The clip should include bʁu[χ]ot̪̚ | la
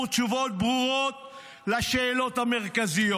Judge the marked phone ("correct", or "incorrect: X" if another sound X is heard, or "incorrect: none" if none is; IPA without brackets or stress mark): incorrect: ʁ